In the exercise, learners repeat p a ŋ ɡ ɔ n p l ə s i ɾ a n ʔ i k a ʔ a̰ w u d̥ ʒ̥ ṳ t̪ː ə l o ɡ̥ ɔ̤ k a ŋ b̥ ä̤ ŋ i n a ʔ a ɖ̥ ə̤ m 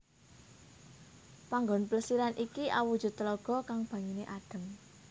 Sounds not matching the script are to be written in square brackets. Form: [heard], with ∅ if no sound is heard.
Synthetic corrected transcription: p a ŋ ɡ ɔ n p l ə s i ɾ a n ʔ i k [i] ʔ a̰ w u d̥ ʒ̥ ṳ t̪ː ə l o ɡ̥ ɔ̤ k a ŋ b̥ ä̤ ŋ i n [e] ʔ a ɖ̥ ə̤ m